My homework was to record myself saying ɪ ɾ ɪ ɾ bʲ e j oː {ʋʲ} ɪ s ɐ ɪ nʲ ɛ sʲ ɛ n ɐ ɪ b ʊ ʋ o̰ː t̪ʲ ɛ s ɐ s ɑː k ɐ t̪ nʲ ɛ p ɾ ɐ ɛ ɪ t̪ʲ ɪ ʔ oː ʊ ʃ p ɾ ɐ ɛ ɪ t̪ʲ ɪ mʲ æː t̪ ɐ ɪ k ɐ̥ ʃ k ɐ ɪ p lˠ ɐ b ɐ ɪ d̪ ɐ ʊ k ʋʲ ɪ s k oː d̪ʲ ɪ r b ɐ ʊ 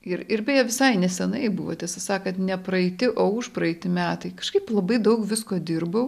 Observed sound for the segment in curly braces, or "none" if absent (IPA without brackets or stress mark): ʋʲ